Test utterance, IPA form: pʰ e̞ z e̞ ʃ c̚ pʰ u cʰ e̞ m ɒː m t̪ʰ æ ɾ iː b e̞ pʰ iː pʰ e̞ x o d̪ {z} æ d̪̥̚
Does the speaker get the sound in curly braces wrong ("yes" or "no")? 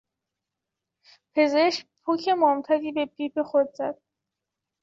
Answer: no